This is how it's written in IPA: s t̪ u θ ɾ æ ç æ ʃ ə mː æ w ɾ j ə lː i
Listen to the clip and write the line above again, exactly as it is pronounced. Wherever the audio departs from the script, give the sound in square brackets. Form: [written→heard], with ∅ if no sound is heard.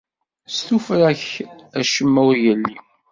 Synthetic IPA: s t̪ u [θ→f] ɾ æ ç æ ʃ ə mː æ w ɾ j ə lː i